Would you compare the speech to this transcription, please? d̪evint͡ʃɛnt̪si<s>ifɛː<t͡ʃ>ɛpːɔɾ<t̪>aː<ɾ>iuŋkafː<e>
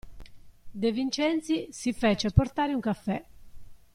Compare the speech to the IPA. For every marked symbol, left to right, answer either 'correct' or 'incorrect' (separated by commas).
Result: correct, correct, correct, correct, incorrect